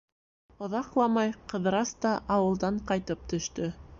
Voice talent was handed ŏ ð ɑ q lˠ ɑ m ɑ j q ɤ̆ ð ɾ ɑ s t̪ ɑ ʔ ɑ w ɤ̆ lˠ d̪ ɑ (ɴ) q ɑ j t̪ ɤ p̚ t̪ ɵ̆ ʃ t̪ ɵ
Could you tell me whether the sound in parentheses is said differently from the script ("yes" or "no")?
no